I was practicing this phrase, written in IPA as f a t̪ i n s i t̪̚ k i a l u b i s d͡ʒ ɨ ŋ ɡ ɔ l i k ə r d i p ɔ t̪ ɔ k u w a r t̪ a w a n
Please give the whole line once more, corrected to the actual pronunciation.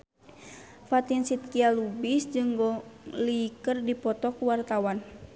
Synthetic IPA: f a t̪ i n s i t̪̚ k i a l u b i s d͡ʒ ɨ ŋ ɡ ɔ l i k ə r d i p ɔ t̪ ɔ k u w a r t̪ a w a n